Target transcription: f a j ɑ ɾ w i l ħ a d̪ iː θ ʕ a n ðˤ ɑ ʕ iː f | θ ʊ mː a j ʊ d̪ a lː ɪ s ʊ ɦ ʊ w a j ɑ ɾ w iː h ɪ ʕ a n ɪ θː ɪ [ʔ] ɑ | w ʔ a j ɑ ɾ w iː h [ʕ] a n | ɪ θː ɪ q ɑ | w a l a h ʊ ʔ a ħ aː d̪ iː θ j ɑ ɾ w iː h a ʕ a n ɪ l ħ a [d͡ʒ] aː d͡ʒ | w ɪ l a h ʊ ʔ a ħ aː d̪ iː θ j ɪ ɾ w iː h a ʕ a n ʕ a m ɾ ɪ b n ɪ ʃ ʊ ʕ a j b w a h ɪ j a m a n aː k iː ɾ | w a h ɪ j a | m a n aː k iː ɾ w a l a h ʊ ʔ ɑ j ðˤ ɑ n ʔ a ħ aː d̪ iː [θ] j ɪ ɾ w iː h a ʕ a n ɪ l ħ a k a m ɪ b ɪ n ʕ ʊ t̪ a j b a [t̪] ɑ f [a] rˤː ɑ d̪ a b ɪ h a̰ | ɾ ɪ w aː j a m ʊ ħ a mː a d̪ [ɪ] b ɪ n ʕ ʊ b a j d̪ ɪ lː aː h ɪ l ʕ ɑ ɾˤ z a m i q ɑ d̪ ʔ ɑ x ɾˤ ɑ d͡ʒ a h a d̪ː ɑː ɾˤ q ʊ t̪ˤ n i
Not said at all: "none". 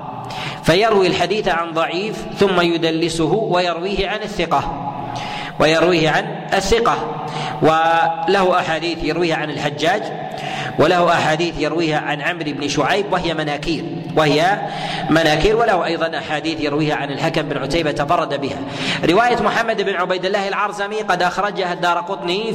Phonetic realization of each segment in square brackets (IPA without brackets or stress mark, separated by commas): q, ʕ, d͡ʒː, θ, t̪, ɑ, ɪ